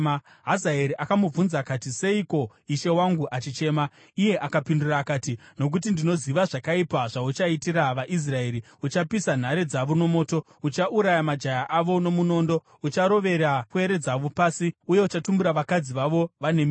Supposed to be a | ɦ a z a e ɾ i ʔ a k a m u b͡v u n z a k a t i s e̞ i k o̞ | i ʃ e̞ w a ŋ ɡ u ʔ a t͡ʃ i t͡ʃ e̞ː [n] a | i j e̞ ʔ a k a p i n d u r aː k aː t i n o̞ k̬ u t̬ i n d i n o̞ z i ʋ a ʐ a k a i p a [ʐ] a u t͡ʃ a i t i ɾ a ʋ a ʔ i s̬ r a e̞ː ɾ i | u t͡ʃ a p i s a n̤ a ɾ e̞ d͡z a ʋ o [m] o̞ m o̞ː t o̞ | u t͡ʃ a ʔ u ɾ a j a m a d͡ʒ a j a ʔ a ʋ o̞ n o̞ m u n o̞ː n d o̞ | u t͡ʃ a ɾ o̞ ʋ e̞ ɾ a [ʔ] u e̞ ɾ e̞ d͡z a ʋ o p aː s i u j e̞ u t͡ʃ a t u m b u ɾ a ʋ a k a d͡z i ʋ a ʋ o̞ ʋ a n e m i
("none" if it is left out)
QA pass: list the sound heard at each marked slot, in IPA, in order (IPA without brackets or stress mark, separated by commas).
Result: m, ʐ, n, k